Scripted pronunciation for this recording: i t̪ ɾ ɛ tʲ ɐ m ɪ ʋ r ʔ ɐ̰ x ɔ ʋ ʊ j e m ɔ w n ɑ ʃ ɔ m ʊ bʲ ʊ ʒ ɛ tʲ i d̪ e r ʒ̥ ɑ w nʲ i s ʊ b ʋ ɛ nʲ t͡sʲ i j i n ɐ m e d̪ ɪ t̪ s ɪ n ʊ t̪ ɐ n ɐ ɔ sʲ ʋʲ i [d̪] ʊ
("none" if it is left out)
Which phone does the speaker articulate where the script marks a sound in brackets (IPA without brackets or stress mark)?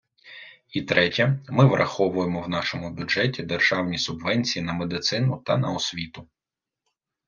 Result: t̪